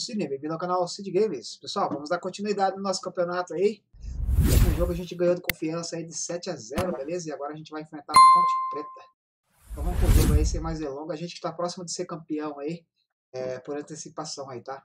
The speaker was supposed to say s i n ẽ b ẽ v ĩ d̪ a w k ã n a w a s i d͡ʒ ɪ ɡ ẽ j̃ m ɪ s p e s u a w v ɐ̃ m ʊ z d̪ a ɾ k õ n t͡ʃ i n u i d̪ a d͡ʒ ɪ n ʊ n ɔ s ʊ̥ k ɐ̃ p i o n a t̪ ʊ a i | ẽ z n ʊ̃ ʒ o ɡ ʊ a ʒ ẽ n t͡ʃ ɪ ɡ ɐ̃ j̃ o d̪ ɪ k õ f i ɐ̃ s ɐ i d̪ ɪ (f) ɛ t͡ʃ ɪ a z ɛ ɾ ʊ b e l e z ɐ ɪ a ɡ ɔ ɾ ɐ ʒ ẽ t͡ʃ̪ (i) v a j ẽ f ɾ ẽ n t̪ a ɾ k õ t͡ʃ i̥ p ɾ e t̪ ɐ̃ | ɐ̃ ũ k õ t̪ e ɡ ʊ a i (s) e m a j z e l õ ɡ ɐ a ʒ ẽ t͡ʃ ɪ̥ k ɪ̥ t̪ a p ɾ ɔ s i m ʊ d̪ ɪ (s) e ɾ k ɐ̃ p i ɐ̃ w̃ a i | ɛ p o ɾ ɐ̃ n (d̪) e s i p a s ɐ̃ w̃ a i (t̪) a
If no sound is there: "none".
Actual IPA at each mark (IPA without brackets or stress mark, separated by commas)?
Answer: s, ɪ, s, s, t̪, t̪